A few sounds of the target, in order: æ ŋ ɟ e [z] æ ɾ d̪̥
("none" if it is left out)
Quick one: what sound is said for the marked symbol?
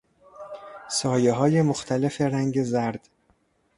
z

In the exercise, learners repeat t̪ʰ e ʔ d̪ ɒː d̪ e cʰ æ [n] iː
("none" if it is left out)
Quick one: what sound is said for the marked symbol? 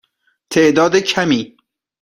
m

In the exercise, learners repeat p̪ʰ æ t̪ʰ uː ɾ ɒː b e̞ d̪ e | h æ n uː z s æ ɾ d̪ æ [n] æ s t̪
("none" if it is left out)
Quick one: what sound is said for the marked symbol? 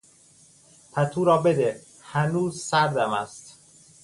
m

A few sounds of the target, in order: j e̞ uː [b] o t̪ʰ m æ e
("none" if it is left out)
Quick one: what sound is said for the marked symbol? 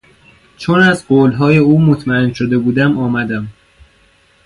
m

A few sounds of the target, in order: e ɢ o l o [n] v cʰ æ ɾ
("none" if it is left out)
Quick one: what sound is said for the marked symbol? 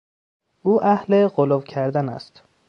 none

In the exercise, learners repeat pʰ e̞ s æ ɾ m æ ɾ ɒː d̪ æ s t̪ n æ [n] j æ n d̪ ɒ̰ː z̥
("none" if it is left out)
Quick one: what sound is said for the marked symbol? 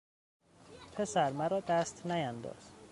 none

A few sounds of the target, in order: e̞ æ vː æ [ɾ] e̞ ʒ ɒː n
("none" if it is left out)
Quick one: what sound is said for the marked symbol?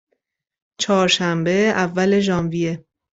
l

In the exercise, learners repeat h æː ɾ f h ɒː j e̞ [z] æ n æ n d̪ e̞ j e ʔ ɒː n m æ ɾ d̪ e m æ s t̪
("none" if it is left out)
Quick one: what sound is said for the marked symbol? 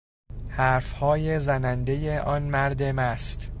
z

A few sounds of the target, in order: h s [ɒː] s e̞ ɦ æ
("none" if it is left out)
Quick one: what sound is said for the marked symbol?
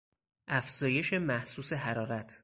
uː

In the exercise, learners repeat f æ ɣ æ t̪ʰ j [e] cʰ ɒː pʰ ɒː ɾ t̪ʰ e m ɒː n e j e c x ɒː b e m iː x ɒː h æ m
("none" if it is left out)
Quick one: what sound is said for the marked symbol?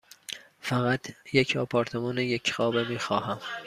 e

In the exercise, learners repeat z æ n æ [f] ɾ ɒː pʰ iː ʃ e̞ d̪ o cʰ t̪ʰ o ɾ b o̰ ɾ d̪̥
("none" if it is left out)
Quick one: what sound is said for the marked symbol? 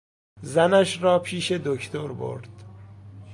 ʃ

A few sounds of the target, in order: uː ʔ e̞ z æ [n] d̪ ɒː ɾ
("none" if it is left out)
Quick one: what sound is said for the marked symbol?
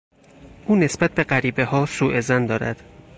n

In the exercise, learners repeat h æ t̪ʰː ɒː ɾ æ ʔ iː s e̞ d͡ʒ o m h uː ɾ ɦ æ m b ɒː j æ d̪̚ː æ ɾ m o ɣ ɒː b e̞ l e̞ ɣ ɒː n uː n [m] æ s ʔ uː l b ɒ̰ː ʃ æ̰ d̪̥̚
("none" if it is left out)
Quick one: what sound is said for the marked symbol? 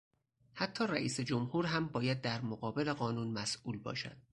m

